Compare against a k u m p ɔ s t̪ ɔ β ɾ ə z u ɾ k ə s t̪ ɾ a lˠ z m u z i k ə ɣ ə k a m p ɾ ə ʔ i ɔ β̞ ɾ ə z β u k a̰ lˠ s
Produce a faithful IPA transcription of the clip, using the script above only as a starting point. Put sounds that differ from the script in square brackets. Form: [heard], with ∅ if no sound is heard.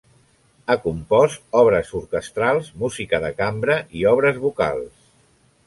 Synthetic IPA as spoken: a k u m p ɔ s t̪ ɔ β ɾ ə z u ɾ k ə s t̪ ɾ a lˠ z m u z i k ə [ð] ə k a m [b] ɾ ə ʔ i ɔ β̞ ɾ ə z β u k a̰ lˠ s